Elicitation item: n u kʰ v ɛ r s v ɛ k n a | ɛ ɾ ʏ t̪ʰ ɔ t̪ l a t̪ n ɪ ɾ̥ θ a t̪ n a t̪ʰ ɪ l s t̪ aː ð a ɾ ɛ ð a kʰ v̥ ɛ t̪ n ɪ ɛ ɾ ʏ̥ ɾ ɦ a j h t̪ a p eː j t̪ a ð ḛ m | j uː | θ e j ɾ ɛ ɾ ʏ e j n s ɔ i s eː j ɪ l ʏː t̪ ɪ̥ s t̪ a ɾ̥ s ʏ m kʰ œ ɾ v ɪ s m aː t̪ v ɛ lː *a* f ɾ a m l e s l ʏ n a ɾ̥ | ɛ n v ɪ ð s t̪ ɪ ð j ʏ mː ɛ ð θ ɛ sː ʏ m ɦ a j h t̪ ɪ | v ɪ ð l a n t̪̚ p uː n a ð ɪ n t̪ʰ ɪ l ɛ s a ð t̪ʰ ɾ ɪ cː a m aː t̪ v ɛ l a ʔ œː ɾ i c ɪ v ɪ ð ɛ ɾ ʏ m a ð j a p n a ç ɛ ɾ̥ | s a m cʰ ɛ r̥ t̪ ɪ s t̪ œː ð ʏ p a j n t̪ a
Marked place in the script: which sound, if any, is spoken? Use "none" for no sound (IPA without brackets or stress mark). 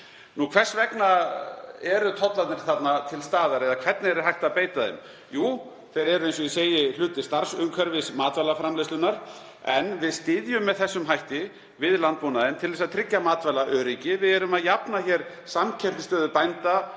a